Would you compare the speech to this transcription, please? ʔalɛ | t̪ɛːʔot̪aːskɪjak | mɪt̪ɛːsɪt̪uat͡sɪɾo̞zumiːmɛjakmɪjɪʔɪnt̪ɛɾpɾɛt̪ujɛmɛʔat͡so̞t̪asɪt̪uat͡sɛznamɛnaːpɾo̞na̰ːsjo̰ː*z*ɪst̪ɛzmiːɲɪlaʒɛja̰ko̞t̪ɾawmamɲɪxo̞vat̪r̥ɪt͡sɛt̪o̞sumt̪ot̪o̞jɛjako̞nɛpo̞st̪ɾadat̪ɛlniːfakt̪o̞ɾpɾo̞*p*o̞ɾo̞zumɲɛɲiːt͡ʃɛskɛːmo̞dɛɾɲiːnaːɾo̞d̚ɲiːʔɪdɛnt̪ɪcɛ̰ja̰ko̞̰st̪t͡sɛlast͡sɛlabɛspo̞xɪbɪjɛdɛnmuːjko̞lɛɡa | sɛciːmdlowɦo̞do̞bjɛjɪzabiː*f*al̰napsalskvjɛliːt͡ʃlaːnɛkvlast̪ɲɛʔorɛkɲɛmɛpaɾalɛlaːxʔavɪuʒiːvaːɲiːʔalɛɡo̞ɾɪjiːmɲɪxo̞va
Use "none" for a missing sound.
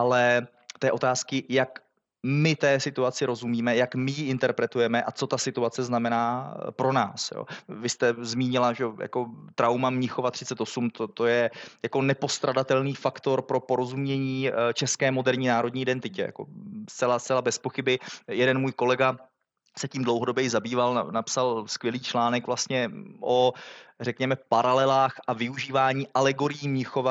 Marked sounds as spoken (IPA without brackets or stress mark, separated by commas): v, p, v